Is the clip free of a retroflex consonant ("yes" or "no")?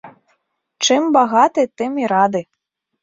no